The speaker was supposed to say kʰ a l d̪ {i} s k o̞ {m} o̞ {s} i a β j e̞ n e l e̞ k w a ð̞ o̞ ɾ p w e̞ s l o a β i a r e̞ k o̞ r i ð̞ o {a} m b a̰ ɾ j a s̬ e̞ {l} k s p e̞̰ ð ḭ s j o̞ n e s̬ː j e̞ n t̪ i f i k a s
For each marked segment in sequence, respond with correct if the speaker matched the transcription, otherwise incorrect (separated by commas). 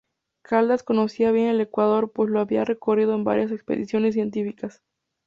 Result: incorrect, incorrect, correct, incorrect, incorrect